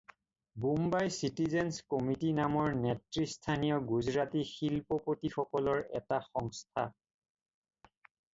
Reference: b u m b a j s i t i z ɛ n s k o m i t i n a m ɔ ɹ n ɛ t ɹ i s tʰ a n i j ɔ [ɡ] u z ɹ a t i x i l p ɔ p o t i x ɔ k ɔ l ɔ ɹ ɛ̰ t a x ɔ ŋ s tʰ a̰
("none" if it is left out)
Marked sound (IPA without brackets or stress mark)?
ɡ